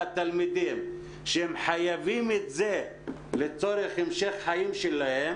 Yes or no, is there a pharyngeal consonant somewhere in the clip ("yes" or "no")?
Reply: yes